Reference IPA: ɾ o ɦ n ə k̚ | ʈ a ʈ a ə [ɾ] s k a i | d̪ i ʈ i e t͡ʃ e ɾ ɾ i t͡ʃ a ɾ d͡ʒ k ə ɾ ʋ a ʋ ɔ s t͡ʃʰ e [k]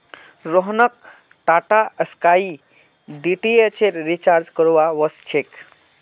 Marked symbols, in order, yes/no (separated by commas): no, yes